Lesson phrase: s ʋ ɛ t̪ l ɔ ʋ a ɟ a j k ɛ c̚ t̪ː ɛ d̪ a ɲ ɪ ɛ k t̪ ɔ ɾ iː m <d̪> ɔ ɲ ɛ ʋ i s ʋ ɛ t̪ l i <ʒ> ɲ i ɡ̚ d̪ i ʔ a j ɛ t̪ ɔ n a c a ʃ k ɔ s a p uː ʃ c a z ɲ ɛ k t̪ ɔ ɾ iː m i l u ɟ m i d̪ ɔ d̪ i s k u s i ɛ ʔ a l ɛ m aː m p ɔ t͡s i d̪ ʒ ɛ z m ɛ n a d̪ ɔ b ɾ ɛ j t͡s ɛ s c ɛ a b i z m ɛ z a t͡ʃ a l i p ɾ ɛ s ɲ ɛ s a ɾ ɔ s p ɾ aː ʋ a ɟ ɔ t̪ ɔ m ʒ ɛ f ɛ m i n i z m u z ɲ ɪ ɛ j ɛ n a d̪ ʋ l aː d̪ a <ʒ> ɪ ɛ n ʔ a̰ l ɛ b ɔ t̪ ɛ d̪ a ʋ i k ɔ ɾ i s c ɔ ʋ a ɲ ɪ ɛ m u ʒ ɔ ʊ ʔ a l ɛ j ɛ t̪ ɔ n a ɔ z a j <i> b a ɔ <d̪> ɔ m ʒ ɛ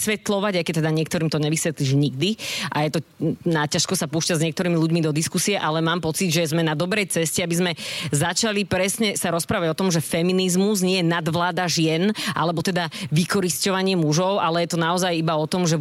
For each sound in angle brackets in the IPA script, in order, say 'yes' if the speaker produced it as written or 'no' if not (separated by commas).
no, yes, yes, yes, no